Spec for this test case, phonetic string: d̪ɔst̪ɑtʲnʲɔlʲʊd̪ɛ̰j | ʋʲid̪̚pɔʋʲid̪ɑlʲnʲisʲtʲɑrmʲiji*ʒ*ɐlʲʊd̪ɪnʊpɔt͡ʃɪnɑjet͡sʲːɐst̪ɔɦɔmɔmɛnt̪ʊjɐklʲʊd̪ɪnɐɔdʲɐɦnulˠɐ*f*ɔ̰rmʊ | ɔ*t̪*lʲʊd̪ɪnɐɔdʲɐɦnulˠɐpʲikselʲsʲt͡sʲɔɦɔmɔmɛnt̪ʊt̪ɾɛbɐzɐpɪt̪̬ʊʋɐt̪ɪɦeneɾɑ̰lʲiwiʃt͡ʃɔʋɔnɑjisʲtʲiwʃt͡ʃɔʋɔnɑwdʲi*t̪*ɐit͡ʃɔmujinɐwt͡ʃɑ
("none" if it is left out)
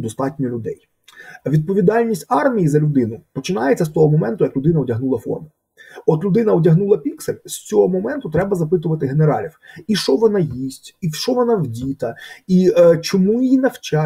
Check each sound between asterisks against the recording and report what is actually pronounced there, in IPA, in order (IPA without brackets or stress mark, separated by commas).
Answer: z, f, t̪, t̪